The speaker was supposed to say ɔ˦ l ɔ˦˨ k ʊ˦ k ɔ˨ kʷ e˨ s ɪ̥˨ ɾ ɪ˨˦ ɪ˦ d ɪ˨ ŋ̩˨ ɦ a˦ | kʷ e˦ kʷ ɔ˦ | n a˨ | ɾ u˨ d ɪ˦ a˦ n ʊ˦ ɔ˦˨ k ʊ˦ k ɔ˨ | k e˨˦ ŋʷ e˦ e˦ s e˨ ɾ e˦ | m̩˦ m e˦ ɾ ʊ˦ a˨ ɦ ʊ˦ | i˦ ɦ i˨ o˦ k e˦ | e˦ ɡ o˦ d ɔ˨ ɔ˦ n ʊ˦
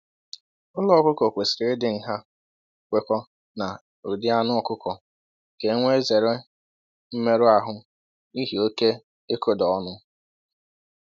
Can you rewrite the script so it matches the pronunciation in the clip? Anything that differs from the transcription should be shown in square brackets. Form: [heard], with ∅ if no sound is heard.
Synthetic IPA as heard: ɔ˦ l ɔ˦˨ k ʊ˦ k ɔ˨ kʷ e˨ s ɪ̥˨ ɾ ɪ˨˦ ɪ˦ d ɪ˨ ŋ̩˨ ɦ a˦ | kʷ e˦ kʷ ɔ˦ | n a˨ | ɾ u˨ d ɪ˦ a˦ n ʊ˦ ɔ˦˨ k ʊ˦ k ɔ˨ | k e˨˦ ŋʷ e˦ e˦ [z] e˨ ɾ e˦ | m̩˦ m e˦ ɾ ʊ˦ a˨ ɦ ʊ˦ | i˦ ɦ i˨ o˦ k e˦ | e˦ [k] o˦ d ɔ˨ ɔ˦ n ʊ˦